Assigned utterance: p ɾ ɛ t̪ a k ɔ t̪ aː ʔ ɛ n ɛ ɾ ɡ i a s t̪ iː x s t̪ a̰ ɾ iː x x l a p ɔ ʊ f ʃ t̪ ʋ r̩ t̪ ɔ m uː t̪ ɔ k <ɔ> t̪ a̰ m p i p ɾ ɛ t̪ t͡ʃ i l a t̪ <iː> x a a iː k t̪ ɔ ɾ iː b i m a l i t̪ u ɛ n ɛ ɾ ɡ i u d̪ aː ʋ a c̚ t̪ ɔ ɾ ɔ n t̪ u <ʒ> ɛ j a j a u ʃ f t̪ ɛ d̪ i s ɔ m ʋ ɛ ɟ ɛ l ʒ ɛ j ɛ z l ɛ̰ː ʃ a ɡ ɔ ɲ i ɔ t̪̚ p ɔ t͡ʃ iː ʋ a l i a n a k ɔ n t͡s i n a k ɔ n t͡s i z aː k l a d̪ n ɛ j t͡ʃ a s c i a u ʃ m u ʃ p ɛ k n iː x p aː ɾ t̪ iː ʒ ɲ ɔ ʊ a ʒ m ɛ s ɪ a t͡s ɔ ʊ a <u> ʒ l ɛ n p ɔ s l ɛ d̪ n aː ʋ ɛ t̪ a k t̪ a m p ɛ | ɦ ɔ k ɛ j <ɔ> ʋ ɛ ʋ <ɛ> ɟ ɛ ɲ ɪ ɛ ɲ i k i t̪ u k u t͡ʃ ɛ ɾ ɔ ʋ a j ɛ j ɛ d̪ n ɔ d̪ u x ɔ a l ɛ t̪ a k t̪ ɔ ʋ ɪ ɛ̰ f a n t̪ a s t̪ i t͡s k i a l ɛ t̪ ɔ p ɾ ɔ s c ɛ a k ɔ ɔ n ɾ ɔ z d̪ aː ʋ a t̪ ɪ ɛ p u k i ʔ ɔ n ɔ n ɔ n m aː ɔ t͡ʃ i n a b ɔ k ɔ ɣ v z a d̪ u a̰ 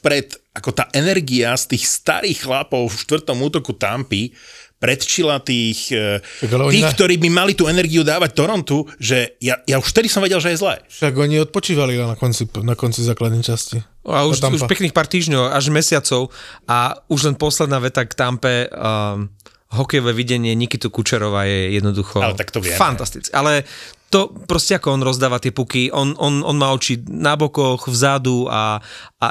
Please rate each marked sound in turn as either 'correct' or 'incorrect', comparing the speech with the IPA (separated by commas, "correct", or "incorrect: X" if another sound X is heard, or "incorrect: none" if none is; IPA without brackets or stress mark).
incorrect: u, correct, correct, correct, correct, incorrect: i